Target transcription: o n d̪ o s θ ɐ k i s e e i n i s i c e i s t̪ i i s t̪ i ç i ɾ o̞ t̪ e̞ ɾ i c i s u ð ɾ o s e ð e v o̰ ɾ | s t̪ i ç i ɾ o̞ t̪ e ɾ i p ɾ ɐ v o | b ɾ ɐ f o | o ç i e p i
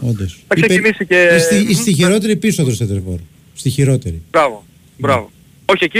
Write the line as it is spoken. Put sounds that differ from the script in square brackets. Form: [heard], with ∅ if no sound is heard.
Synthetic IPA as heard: o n d̪ o s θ ɐ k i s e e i n i s i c e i s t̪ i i s t̪ i ç i ɾ o̞ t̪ e̞ ɾ i [p] i s [o] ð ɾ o s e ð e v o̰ ɾ | s t̪ i ç i ɾ o̞ t̪ e ɾ i [b] ɾ ɐ v o | b ɾ ɐ [v] o | o ç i e [c] i